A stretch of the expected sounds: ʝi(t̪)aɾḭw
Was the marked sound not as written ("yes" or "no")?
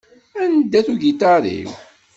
no